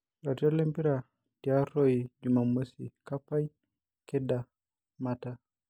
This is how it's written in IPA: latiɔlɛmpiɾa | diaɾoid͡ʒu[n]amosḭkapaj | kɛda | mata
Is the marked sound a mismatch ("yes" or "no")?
yes